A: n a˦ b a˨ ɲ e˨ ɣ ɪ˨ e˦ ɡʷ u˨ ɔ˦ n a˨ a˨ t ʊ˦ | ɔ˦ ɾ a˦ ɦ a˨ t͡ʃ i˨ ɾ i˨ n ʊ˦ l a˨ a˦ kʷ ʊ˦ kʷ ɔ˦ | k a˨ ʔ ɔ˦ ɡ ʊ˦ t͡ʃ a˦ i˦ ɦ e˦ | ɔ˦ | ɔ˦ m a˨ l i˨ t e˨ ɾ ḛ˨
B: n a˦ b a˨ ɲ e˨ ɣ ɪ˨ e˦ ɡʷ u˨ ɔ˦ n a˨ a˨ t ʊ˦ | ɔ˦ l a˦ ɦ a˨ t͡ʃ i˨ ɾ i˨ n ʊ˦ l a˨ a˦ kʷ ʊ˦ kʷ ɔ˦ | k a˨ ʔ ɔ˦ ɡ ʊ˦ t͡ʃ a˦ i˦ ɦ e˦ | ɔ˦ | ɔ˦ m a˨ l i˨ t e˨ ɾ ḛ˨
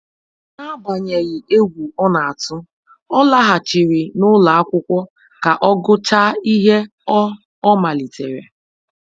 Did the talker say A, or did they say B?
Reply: B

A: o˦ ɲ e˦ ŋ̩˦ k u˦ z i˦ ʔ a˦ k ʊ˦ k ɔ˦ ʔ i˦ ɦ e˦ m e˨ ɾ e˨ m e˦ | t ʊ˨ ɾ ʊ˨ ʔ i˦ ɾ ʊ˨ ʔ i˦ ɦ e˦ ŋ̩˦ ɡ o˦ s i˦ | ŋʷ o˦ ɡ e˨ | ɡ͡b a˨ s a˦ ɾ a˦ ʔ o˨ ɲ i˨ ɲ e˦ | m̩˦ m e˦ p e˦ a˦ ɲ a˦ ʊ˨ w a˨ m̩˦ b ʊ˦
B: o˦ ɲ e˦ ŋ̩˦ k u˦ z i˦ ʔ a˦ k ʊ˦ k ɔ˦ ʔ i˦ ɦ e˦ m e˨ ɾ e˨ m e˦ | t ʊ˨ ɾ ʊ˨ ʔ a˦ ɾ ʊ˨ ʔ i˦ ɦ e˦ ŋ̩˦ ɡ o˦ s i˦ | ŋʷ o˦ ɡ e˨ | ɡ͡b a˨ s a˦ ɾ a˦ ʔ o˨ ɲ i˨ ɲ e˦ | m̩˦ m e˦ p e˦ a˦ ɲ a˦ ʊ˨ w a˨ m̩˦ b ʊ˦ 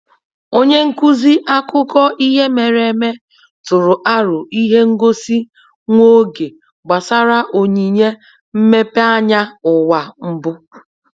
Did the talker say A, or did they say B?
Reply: B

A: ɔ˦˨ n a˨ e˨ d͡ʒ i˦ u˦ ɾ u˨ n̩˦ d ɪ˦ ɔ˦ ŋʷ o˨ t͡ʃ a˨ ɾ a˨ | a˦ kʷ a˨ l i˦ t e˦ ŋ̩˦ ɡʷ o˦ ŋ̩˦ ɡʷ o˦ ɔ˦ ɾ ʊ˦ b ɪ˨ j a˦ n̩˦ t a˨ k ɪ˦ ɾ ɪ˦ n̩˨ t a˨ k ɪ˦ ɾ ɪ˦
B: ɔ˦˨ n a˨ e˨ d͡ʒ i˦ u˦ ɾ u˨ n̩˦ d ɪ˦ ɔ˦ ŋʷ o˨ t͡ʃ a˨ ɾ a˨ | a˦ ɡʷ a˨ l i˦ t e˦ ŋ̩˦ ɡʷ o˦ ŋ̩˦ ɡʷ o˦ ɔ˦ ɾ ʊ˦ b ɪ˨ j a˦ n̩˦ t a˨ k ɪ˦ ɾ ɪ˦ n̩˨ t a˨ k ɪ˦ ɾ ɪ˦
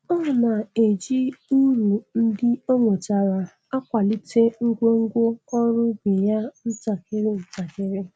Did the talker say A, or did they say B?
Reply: A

